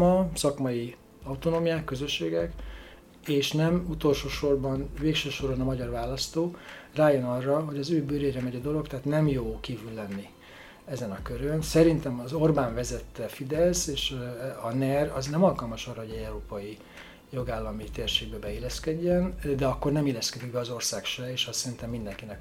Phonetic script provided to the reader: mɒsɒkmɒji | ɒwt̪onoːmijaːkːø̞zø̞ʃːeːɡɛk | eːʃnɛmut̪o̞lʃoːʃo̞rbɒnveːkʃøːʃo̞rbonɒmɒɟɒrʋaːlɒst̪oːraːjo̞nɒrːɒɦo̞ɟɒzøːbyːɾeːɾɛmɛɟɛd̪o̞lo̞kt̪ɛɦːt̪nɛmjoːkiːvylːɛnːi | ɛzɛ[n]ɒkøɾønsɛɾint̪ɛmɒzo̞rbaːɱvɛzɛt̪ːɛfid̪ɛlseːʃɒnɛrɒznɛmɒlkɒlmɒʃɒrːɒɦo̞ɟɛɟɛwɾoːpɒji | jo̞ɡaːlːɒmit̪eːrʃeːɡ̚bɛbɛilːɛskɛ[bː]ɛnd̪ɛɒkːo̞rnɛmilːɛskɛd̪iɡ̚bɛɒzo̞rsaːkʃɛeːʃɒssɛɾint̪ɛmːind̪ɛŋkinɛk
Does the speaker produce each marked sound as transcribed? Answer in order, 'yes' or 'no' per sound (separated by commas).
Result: yes, no